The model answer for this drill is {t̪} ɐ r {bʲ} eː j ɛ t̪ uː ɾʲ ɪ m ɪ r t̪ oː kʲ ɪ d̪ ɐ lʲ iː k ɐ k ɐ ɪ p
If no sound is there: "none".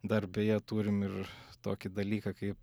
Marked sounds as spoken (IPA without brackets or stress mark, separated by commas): d̪, bʲ